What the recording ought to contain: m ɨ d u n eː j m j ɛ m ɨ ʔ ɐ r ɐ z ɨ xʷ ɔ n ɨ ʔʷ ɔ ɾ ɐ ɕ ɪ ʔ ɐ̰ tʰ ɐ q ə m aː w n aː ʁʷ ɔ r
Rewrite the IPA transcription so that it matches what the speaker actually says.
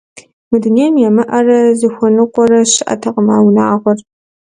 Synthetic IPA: m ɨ d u n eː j m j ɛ m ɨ ʔ ɐ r ɐ z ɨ xʷ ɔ n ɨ qʷ ɔ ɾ ɐ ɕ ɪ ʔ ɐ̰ tʰ ɐ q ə m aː w n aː ʁʷ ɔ r